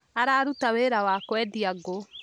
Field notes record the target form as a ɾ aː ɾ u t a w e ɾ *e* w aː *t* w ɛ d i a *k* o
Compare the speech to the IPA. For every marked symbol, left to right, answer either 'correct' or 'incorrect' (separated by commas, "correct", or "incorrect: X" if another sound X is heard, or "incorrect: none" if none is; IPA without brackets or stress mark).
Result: incorrect: a, incorrect: k, incorrect: ɡ